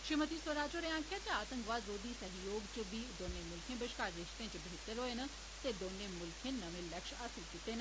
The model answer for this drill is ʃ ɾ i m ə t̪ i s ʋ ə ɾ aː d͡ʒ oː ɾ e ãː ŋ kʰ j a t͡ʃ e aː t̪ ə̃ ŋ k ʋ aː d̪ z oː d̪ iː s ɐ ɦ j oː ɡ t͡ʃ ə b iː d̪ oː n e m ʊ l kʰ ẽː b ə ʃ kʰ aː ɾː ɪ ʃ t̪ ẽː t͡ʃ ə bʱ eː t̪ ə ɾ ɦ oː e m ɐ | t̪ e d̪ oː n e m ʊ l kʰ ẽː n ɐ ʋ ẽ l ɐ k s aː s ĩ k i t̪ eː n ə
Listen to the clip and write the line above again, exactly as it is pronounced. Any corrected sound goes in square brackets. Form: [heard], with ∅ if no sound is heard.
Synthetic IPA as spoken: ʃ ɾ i m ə t̪ i s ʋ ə ɾ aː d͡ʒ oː ɾ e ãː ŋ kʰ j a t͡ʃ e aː t̪ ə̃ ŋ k ʋ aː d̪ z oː d̪ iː s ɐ ɦ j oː ɡ t͡ʃ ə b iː d̪ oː n e m ʊ l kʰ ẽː b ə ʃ [k] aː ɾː ɪ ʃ t̪ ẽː t͡ʃ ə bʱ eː t̪ ə ɾ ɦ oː e [n] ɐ | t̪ e d̪ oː n e m ʊ l kʰ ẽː n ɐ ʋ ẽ l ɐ k [ʃ] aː s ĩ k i t̪ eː n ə

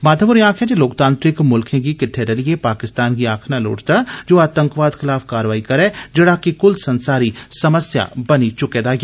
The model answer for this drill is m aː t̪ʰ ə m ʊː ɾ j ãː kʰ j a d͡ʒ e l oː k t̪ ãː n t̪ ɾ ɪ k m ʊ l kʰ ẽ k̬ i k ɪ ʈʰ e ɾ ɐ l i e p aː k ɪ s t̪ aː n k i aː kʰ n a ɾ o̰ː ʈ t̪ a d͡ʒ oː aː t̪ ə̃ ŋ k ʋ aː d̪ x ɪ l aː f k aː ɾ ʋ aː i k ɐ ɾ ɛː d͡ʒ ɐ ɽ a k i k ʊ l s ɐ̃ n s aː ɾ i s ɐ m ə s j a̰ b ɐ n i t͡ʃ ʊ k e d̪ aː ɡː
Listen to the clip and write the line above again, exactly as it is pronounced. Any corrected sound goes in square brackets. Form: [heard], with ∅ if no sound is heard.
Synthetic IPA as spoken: m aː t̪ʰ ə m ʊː ɾ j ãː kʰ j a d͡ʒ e l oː k t̪ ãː n t̪ ɾ ɪ k m ʊ l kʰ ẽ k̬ i k ɪ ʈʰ e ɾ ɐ l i e p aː k ɪ s t̪ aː n k i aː kʰ n a [l] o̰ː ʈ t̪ a d͡ʒ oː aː t̪ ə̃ ŋ k ʋ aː d̪ x ɪ l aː f k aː ɾ ʋ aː i k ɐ ɾ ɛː d͡ʒ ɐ ɽ a k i k ʊ l s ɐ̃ n s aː ɾ i s ɐ m ə s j a̰ b ɐ n i t͡ʃ ʊ k e d̪ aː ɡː

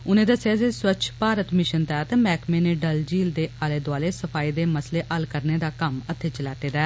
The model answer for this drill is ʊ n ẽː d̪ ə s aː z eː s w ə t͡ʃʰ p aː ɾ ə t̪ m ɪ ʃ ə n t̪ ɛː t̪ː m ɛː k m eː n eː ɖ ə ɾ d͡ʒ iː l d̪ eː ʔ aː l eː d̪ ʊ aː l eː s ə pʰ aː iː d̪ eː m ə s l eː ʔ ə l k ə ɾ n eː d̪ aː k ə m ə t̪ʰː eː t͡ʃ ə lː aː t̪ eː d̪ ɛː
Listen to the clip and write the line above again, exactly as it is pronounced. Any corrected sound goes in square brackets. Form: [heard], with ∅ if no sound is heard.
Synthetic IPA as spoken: ʊ n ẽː d̪ ə s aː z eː s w ə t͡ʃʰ p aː ɾ ə t̪ m ɪ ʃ ə n t̪ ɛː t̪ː m ɛː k m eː n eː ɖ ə [l] d͡ʒ iː l d̪ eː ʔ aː l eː d̪ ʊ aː l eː s ə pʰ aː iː d̪ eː m ə s l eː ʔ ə l k ə ɾ n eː d̪ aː k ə m ə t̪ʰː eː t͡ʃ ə [l] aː t̪ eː d̪ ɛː

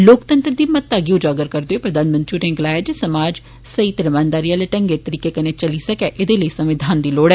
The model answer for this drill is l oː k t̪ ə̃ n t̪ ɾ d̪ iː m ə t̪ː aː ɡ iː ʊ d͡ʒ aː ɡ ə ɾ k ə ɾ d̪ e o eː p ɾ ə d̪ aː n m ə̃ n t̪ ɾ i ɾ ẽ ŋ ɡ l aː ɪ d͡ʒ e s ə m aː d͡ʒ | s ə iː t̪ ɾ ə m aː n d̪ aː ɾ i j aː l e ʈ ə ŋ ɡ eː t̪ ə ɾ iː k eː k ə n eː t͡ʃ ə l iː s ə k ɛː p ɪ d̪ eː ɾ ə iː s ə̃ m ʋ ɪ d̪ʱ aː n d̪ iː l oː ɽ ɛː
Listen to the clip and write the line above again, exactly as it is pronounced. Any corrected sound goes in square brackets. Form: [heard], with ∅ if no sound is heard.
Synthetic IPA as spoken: l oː k t̪ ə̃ n t̪ ɾ d̪ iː m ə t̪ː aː ɡ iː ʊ d͡ʒ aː ɡ ə ɾ k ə ɾ d̪ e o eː p ɾ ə d̪ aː n m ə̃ n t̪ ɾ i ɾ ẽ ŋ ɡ l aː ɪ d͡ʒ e s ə m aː d͡ʒ | s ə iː t̪ ɾ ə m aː n d̪ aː ɾ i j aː l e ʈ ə ŋ ɡ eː t̪ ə ɾ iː k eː k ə n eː t͡ʃ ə l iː s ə k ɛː [ʔ] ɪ d̪ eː [l] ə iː s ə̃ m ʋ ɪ d̪ʱ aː n d̪ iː l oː ɽ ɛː

